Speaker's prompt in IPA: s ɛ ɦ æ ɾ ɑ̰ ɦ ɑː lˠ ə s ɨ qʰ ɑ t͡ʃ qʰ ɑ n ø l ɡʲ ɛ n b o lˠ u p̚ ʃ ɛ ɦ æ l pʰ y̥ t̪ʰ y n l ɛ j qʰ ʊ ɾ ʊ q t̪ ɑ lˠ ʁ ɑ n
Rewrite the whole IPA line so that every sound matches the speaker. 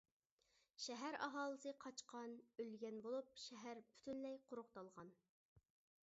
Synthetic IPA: ʃ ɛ ɦ æ ɾ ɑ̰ ɦ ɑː lˠ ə s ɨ qʰ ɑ t͡ʃ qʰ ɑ n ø l ɡʲ ɛ n b o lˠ u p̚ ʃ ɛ ɦ æ ɾ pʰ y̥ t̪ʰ y n l ɛ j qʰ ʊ ɾ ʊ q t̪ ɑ lˠ ʁ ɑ n